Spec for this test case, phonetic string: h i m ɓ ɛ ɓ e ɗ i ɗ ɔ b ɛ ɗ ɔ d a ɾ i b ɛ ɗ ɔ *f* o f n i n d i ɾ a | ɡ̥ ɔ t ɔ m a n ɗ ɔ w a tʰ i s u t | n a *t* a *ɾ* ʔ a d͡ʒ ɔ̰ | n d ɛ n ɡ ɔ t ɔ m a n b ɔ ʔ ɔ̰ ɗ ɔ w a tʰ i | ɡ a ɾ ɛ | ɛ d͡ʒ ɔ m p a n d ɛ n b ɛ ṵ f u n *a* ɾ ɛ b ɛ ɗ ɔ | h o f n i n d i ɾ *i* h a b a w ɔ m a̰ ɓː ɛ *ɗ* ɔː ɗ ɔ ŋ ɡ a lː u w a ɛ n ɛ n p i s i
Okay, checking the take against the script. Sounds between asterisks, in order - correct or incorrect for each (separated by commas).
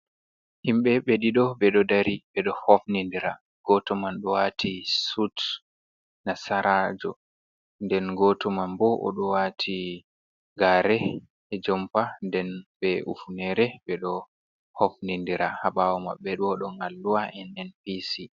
incorrect, incorrect, correct, incorrect, incorrect, correct